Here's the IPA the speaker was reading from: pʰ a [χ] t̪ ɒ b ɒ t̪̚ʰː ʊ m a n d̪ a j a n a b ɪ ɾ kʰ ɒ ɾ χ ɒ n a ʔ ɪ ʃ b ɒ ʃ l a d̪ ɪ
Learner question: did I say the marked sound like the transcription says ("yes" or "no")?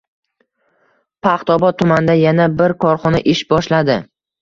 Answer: yes